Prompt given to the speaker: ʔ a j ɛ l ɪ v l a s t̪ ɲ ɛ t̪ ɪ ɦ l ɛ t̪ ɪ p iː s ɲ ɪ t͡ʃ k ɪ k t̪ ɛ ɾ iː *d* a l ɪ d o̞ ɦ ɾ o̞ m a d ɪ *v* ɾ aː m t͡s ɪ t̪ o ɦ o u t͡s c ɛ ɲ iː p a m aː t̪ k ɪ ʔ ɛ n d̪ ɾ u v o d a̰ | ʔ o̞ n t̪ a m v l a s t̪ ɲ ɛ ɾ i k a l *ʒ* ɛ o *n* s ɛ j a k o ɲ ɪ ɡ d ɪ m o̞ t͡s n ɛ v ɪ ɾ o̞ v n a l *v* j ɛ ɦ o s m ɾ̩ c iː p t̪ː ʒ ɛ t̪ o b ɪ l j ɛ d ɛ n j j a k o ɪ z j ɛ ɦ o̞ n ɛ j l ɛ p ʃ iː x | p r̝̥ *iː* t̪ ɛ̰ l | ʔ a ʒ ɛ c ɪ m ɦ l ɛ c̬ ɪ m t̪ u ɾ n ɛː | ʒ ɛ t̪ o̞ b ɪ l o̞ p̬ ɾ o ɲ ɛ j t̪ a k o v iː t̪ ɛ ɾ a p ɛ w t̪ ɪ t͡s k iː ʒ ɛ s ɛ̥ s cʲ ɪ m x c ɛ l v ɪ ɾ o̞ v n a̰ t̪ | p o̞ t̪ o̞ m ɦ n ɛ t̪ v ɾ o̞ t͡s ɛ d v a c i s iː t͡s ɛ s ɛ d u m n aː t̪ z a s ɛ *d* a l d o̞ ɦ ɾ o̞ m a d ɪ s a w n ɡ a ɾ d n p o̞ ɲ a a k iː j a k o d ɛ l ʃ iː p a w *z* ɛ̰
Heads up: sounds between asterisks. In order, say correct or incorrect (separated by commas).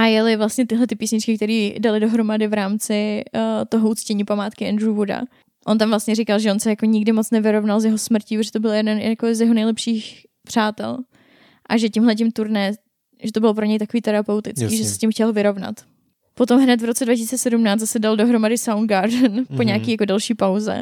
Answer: correct, correct, correct, correct, incorrect, incorrect, correct, correct